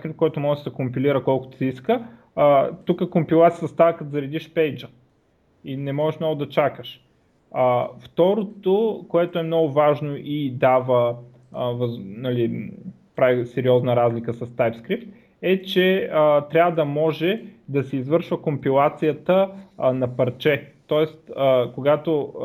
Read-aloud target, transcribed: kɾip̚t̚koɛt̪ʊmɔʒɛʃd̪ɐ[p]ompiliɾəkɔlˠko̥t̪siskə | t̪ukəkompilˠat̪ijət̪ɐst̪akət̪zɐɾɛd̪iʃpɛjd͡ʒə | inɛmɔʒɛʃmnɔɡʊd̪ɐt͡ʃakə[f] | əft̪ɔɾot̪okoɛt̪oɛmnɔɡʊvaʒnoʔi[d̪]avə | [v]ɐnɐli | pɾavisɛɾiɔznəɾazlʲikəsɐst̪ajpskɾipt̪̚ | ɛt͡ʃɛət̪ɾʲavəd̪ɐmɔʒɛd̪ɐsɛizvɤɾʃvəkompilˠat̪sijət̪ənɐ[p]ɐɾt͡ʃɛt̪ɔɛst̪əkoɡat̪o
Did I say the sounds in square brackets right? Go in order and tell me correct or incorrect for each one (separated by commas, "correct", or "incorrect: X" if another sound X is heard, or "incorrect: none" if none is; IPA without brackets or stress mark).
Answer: incorrect: k, incorrect: ʃ, correct, correct, correct